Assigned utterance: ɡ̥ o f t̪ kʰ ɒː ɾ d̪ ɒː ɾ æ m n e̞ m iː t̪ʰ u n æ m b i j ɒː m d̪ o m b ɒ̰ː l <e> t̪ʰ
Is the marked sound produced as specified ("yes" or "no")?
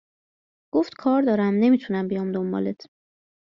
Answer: yes